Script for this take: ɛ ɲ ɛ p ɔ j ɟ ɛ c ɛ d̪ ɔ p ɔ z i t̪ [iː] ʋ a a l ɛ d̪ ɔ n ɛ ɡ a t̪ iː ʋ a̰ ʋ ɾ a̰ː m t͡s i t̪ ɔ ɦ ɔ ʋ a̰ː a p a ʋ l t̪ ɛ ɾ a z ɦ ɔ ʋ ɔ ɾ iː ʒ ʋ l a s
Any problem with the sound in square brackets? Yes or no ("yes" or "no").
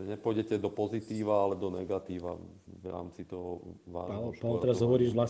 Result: no